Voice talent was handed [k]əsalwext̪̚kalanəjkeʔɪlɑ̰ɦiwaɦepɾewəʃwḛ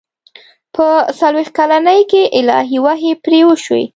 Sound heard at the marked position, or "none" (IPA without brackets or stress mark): p